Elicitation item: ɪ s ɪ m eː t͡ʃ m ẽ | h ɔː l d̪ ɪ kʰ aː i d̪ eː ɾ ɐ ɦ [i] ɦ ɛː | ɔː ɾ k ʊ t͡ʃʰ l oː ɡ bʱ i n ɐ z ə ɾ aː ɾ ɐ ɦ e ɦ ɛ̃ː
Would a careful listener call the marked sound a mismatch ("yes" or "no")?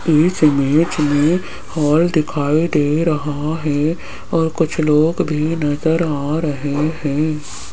yes